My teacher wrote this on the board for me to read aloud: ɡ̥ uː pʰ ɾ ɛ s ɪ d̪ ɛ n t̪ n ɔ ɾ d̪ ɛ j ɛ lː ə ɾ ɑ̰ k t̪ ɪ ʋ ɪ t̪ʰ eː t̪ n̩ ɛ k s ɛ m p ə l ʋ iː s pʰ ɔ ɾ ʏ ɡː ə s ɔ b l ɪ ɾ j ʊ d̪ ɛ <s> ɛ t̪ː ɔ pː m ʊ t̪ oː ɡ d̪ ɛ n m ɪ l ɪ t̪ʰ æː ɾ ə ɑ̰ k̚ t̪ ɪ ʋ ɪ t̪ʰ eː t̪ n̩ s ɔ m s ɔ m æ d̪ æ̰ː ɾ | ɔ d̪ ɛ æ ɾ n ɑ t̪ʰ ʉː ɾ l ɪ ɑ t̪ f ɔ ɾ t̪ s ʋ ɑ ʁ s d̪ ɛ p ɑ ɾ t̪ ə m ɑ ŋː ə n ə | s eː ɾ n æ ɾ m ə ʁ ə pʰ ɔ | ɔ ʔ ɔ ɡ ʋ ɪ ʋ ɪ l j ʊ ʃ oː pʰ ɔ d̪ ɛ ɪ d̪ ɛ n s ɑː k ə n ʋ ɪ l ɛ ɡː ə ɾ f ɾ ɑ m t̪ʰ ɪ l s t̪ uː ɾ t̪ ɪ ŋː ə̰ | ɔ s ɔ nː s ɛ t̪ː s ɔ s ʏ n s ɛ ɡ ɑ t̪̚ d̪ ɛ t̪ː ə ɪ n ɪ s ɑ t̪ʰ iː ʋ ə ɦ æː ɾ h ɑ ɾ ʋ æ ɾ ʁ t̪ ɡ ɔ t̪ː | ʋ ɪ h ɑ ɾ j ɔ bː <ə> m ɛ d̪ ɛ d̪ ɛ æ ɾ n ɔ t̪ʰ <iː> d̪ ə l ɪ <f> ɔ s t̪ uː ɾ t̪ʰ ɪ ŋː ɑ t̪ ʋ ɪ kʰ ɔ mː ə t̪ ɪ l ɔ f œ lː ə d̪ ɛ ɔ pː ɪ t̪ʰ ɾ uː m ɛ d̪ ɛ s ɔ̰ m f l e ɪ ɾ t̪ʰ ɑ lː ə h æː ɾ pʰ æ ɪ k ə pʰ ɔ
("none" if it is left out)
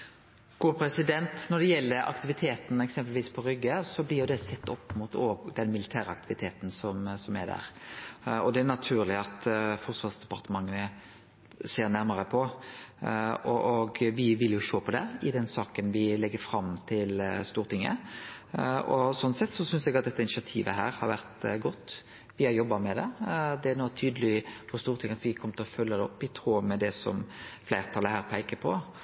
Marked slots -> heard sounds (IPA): s, ɑ, yː, f

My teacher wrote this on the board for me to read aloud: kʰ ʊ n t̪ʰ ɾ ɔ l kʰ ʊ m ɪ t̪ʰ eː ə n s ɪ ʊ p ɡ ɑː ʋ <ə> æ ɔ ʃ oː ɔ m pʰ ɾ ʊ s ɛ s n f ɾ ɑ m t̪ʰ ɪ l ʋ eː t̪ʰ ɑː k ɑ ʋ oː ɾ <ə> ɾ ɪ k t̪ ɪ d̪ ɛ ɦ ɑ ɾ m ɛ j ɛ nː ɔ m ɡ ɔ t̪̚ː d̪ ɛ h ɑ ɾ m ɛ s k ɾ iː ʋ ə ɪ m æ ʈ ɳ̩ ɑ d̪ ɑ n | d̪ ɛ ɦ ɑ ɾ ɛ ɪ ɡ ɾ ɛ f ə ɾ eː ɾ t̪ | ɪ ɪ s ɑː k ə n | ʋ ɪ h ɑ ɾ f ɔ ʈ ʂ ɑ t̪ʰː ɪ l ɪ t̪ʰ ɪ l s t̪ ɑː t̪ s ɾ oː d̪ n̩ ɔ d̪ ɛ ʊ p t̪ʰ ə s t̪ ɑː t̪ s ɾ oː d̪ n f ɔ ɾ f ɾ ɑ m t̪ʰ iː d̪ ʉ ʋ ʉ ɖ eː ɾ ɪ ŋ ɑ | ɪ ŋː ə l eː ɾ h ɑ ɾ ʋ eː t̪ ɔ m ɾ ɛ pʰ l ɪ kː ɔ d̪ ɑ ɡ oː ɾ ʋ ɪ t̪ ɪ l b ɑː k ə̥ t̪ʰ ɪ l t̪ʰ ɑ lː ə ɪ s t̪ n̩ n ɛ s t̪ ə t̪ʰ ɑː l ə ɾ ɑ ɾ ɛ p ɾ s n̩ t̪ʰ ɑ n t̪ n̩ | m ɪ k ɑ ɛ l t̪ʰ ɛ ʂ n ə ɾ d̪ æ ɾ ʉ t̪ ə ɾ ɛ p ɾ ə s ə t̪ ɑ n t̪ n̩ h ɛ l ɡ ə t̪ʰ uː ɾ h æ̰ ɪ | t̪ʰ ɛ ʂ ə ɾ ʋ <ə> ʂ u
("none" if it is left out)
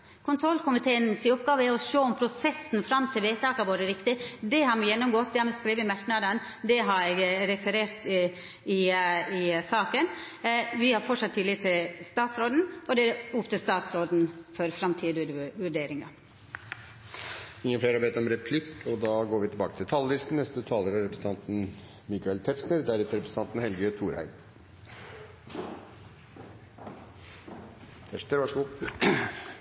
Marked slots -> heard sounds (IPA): ə, ə, ɑ

